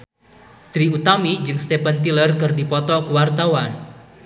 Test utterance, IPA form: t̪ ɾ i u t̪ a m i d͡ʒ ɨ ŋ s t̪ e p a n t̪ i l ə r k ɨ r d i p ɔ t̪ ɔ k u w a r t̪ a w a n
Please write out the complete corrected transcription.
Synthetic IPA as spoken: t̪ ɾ i u t̪ a m i d͡ʒ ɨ ŋ s t̪ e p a n t̪ i l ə r k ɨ r d i p ɔ t̪ ɔ k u w a r t̪ a w a n